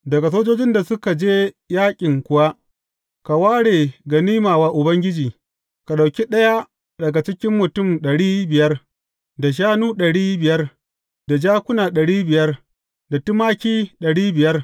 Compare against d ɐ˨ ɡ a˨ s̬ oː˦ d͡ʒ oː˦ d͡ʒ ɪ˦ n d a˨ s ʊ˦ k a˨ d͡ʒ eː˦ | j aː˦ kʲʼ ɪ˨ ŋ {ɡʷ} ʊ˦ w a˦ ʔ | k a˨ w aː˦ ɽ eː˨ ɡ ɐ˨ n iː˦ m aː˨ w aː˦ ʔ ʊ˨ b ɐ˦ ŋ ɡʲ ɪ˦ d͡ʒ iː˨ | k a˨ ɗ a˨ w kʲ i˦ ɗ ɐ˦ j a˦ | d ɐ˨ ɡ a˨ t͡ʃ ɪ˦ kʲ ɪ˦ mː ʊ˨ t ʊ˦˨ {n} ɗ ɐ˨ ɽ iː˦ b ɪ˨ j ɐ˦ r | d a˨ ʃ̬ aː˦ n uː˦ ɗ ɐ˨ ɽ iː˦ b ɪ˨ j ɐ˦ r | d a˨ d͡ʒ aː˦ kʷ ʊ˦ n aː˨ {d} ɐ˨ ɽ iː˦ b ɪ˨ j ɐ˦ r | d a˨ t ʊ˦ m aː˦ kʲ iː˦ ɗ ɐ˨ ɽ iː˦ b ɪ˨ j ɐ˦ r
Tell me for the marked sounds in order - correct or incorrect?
incorrect: kʷ, incorrect: m, incorrect: ɗ

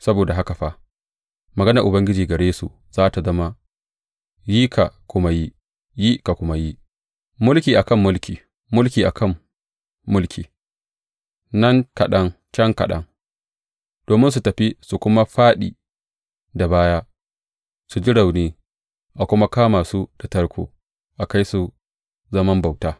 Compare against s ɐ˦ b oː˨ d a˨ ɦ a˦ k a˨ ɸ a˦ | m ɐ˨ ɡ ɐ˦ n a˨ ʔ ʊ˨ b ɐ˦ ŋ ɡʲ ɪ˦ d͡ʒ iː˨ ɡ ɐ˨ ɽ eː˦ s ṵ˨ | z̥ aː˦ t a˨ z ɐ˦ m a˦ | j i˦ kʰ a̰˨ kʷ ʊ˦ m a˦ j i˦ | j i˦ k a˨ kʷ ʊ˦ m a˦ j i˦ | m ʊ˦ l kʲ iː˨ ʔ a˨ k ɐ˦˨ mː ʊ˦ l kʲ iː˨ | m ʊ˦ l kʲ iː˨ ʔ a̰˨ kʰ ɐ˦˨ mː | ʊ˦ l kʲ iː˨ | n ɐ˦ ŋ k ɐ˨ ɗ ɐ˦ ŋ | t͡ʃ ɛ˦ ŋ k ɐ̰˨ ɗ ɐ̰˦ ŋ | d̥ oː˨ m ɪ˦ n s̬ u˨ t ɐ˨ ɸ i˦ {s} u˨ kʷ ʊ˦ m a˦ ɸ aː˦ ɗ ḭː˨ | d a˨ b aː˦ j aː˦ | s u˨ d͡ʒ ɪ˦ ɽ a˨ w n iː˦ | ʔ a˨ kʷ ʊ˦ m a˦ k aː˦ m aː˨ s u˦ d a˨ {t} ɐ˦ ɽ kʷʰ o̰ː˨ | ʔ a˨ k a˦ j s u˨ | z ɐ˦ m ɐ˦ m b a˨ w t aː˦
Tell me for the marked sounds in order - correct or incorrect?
correct, correct

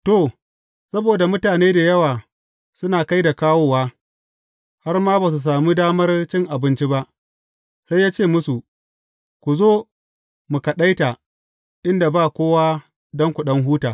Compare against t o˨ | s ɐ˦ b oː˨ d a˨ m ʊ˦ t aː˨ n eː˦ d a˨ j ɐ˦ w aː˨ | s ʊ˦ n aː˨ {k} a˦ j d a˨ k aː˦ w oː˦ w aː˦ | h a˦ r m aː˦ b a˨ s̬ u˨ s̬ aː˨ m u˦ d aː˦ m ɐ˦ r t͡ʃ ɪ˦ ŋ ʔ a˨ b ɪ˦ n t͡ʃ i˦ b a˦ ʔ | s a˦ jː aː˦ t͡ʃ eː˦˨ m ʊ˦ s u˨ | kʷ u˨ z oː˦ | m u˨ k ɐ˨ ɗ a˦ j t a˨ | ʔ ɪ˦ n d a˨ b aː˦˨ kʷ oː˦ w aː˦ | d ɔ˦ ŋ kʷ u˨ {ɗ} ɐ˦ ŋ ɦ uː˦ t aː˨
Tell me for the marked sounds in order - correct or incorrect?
correct, correct

